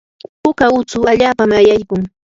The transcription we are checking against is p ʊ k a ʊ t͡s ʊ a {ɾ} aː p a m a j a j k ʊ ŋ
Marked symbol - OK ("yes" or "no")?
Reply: no